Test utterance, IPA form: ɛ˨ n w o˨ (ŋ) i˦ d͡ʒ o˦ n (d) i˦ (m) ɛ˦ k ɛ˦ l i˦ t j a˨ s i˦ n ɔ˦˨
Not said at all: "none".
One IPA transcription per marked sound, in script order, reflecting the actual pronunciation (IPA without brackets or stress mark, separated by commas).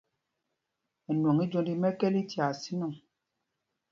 ŋ, d, m